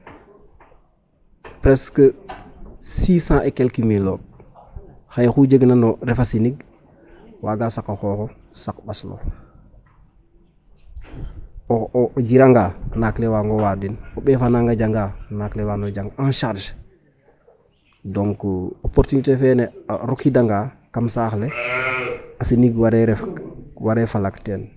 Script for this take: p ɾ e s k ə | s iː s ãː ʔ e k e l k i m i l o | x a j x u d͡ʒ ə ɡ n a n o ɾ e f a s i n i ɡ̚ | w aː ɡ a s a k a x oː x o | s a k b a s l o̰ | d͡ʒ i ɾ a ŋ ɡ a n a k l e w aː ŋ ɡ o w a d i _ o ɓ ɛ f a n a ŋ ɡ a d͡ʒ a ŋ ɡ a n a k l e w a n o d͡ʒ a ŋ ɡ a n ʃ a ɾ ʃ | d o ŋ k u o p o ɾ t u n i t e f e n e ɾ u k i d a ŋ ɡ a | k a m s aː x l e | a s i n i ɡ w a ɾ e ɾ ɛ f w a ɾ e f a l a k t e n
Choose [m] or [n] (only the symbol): n